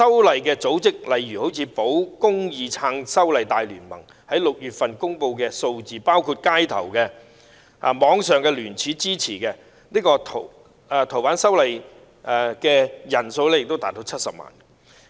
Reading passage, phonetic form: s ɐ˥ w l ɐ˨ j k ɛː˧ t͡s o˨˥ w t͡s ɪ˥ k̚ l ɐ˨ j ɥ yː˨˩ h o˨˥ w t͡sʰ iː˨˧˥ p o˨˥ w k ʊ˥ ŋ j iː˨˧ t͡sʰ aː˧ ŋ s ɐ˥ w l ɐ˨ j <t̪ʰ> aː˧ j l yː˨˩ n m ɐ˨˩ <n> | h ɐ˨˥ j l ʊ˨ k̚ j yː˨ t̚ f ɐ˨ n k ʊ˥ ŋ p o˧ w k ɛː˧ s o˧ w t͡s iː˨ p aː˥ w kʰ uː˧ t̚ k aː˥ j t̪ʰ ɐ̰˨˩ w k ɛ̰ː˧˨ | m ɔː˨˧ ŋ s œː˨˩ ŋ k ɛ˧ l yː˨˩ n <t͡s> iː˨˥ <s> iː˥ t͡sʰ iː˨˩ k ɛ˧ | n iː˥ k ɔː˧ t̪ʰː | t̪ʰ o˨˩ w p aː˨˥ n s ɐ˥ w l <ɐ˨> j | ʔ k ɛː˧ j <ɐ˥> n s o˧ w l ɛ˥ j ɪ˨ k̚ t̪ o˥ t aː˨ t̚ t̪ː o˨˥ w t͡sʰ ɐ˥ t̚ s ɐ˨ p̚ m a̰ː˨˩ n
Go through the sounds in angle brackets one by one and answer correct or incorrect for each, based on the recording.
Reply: incorrect, incorrect, incorrect, incorrect, correct, incorrect

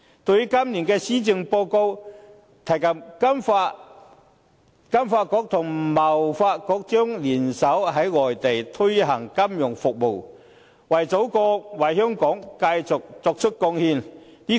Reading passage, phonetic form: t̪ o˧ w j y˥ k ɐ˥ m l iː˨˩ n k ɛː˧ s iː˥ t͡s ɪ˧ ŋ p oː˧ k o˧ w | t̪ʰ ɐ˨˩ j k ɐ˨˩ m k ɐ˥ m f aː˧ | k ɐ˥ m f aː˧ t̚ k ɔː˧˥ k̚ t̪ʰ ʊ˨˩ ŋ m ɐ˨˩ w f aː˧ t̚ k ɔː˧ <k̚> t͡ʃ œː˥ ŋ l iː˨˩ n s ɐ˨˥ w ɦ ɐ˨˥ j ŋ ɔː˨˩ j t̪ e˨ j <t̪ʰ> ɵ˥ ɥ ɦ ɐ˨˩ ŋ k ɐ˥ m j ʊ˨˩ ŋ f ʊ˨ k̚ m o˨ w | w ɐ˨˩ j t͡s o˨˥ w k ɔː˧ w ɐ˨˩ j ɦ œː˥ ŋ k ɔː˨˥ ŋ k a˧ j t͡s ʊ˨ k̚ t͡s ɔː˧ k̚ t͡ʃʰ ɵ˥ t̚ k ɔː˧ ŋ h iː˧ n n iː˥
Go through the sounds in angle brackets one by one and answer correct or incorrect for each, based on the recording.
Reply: correct, correct

